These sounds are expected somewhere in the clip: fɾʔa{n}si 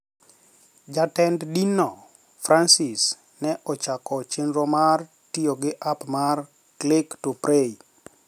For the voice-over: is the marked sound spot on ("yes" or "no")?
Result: yes